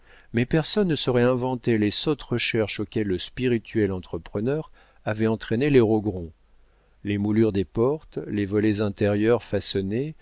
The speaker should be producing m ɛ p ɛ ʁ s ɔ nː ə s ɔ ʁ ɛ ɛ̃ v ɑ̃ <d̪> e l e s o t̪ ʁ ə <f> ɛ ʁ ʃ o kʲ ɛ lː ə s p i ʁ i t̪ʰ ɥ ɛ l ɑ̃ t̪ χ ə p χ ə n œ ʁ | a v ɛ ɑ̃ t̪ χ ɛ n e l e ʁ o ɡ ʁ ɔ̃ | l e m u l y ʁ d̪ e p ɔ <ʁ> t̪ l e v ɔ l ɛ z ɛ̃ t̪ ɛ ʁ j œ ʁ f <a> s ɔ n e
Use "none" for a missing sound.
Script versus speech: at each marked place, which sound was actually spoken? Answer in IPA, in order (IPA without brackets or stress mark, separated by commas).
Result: t̪, ʃ, ʁ, a